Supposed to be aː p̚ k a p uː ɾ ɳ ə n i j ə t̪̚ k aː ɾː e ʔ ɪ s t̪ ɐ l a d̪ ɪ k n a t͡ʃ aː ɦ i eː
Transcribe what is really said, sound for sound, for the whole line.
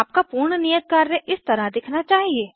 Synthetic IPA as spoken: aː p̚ k a p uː ɾ ɳ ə n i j ə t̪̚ k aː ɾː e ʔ ɪ s t̪ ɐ ɾ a d̪ ɪ kʰ n a t͡ʃ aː ɦ i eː